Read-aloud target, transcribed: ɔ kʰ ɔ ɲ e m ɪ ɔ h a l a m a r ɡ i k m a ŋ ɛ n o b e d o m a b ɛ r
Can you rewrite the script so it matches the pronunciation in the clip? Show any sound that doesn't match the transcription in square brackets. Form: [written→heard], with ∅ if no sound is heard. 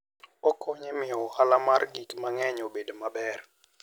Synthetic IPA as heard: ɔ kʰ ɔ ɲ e m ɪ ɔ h a l a m a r ɡ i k m a ŋ ɛ [n→ɲ] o b e d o m a b ɛ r